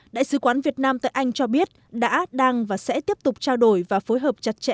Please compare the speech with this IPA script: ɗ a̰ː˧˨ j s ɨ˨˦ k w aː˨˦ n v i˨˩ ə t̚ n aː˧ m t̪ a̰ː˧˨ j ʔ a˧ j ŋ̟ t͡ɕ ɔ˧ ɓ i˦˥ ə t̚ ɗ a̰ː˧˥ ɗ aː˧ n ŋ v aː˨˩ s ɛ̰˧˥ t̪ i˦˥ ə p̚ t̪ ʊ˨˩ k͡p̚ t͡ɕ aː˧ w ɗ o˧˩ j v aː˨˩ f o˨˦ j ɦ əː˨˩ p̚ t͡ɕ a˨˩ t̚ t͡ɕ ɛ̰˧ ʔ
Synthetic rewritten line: ɗ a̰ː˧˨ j s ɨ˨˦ k w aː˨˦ n v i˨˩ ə t̚ n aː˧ m t̪ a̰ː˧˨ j ʔ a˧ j ŋ̟ t͡ɕ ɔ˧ ɓ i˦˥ ə t̚ ɗ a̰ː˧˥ ɗ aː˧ ŋ v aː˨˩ s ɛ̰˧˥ t̪ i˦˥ ə p̚ t̪ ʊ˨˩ k͡p̚ t͡ɕ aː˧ w ɗ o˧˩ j v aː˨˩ f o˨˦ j ɦ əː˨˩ p̚ t͡ɕ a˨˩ t̚ t͡ɕ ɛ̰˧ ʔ